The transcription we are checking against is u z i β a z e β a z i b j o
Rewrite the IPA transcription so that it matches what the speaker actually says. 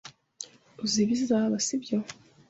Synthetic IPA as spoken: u z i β i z a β a s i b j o